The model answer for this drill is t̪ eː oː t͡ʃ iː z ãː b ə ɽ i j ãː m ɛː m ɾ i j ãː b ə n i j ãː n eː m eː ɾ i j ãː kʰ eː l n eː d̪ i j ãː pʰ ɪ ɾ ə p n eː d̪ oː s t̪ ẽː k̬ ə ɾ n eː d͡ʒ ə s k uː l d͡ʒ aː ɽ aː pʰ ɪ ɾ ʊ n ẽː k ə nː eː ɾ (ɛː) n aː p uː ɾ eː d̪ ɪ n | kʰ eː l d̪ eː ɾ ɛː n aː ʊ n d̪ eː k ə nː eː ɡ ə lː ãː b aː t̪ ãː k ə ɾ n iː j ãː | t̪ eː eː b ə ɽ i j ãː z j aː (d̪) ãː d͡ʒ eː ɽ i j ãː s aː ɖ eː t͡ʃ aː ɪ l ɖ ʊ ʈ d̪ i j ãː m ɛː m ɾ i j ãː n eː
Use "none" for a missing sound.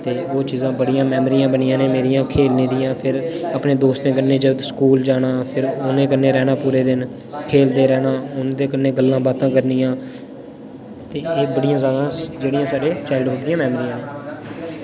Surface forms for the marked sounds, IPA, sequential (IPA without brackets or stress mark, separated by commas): ɛː, d̪